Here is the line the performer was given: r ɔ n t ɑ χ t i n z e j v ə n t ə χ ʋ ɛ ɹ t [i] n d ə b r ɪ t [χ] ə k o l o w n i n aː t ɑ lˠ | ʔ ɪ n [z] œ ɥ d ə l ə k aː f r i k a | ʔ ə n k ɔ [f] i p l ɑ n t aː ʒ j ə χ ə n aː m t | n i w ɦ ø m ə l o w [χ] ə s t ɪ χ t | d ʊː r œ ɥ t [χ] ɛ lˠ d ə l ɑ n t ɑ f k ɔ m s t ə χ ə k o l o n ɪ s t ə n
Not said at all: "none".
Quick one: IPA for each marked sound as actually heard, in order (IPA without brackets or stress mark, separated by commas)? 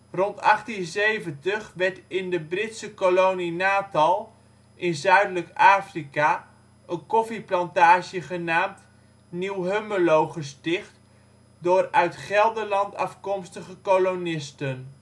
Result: ɪ, s, z, f, χ, χ